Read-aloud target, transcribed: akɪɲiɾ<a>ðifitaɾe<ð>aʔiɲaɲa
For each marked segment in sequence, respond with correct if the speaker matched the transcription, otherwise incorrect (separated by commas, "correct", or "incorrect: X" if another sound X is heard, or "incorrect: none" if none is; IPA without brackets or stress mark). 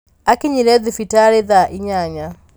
incorrect: ɛ, correct